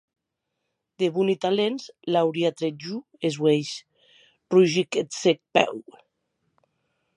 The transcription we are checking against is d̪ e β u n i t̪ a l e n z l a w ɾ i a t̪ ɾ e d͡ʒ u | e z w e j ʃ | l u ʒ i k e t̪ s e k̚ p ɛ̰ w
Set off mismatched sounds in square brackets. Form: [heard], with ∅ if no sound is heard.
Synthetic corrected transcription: d̪ e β u n i t̪ a l e n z l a w ɾ i a t̪ ɾ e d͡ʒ u | e z w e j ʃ | [r] u ʒ i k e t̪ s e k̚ p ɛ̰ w